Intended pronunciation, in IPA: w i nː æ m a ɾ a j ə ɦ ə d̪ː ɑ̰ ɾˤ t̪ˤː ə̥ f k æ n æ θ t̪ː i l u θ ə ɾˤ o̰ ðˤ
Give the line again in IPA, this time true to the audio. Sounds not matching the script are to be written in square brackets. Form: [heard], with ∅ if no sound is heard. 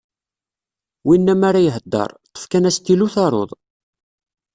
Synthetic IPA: w i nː æ m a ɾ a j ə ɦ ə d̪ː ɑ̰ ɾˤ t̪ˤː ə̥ f k æ n æ [s] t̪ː i l u θ [ɑ] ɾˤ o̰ ðˤ